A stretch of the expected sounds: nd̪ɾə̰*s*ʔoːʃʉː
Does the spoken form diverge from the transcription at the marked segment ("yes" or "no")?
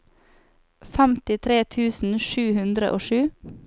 yes